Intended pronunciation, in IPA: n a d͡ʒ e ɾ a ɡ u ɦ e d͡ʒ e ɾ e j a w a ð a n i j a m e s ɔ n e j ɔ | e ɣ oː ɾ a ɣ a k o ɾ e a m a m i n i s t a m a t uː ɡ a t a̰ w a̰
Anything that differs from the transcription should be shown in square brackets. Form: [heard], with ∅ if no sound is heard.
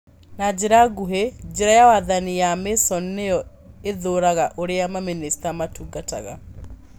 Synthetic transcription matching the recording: n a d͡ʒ e ɾ a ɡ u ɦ e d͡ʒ e ɾ [a] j a w a ð a n i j a m e s ɔ n e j ɔ | e [ð] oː ɾ a ɣ a [ʔ] o ɾ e a m a m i n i s t a m a t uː ɡ a t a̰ [ɣ] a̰